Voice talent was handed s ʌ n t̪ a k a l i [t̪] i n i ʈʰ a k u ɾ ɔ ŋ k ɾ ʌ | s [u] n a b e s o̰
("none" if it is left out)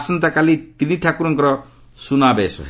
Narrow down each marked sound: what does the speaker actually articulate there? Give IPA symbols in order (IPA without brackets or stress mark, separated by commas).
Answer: t̪, u